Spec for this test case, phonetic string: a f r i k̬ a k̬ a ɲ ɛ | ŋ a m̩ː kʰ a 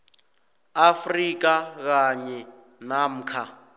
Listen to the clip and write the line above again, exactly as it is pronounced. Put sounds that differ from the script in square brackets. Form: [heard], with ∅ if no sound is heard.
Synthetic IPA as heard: a f r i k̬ a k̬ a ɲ ɛ | [n] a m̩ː kʰ a